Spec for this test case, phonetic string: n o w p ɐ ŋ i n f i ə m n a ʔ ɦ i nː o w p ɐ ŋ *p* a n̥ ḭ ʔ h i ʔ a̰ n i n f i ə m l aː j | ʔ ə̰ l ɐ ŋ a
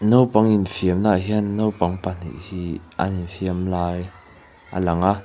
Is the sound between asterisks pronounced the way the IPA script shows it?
yes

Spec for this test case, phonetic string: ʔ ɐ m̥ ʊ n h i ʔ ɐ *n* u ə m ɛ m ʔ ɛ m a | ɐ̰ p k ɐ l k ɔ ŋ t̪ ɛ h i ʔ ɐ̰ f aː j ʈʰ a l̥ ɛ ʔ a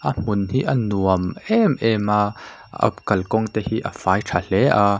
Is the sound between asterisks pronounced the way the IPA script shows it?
yes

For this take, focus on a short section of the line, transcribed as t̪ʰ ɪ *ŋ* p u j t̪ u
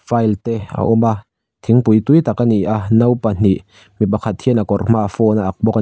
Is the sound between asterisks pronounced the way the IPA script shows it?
yes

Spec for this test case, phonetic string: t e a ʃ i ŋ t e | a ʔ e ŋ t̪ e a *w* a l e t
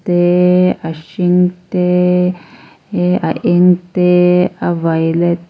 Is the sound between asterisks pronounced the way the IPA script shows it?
no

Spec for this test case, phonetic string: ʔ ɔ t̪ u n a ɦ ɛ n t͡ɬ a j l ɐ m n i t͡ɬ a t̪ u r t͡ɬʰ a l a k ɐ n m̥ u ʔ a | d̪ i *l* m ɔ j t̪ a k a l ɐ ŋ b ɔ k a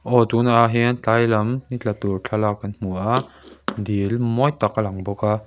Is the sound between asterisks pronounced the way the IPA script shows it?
yes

